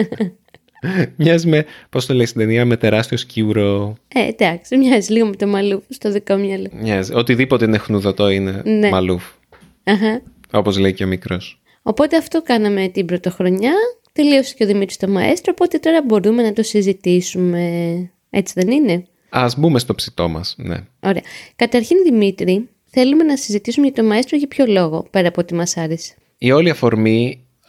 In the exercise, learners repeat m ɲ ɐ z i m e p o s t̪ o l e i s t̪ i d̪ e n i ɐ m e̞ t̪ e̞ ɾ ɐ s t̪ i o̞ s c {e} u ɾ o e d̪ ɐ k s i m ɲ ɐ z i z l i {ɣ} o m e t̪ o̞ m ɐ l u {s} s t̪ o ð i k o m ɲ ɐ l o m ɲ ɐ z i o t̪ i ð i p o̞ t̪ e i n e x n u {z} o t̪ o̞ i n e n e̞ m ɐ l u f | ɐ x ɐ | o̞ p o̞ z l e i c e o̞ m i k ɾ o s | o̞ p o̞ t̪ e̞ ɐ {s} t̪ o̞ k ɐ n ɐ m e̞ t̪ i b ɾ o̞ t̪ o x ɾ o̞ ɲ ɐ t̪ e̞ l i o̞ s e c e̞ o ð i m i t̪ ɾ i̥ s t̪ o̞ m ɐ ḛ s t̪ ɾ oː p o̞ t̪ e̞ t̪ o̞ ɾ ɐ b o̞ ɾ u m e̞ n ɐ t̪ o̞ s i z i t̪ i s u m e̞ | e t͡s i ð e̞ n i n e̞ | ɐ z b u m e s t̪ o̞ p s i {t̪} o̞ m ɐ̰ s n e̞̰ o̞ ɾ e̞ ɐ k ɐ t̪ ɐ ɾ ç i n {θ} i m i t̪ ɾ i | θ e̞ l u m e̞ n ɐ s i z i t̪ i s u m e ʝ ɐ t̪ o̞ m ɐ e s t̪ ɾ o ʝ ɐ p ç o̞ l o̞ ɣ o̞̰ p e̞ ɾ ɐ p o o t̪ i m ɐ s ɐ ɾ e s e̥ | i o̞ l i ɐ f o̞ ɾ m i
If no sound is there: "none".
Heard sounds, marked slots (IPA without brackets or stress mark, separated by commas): i, ɣ, f, ð, f, t̪, ð